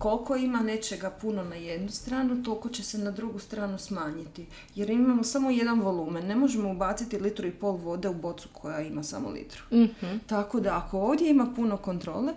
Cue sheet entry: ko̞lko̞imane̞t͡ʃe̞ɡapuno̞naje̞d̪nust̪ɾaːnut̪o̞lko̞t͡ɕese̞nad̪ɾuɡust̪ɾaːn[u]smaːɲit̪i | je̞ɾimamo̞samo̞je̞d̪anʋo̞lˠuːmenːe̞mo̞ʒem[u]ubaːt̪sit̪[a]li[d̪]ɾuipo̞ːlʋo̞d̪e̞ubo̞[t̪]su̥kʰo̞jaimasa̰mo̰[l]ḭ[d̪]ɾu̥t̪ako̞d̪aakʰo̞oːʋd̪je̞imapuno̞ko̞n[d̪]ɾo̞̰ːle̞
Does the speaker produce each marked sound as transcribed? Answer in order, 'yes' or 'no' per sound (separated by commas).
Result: yes, no, no, no, yes, yes, no, no